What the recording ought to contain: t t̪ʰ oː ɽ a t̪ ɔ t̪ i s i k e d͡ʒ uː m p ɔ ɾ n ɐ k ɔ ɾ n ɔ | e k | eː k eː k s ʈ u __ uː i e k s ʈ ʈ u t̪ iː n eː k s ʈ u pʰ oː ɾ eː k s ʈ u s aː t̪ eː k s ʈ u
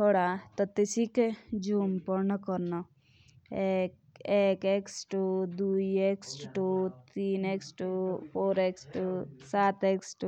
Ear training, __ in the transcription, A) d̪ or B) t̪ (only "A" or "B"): A